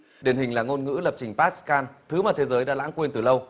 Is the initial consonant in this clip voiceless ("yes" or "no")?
no